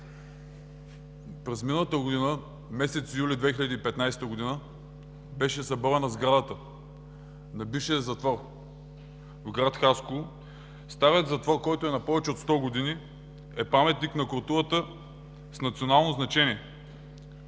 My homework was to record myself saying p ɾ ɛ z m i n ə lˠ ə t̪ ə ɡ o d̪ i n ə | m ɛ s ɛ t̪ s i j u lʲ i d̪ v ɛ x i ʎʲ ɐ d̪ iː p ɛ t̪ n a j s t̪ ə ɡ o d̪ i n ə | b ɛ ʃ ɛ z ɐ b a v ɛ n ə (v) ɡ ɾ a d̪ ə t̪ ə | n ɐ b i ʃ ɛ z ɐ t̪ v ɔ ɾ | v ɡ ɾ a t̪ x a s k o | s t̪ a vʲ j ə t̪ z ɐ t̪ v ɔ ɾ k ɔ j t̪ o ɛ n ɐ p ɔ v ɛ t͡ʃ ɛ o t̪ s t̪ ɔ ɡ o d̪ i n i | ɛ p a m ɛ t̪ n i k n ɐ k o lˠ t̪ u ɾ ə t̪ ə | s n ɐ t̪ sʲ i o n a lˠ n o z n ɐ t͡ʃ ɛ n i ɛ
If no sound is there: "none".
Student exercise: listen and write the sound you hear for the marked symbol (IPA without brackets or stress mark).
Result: z